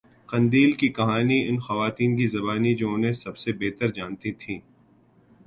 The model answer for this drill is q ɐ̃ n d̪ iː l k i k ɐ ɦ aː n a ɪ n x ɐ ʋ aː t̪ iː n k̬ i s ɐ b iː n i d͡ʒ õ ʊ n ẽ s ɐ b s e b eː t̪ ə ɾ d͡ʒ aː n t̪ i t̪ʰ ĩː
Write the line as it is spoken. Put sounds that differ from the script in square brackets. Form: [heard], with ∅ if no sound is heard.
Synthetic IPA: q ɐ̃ n d̪ iː l k i k ɐ ɦ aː n [i] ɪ n x ɐ ʋ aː t̪ iː n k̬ i [z] ɐ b [aː] n i d͡ʒ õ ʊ n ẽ s ɐ b s e b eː t̪ ə ɾ d͡ʒ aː n t̪ i t̪ʰ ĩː